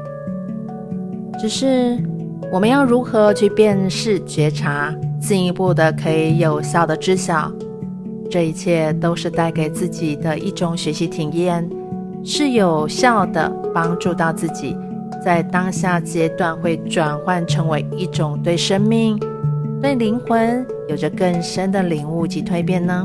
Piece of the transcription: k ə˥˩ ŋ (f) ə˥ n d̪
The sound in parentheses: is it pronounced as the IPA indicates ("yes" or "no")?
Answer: no